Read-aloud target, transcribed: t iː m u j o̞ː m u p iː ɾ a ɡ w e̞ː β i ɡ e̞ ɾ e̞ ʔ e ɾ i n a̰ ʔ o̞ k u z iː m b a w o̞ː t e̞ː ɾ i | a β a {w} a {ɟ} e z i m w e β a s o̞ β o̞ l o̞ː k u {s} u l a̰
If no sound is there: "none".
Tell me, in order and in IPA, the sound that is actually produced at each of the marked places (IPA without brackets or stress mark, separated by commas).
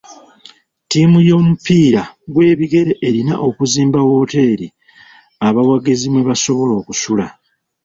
w, ɡ, s